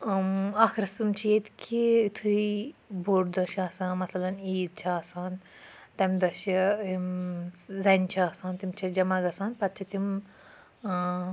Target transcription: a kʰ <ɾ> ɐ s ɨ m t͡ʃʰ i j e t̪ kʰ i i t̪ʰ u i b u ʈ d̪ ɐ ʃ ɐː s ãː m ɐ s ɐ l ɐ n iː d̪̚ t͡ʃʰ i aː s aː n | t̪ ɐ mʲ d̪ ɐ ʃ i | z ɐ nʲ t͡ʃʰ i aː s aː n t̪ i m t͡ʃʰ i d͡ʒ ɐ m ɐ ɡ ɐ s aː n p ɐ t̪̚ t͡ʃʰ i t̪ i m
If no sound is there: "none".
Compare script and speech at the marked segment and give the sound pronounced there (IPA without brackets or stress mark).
ɾ